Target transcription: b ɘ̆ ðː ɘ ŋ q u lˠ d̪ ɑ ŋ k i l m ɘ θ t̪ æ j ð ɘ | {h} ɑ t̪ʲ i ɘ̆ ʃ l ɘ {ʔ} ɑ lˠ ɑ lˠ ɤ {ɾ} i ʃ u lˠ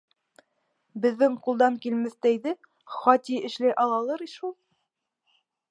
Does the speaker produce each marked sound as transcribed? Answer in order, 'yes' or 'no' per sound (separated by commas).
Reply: no, yes, yes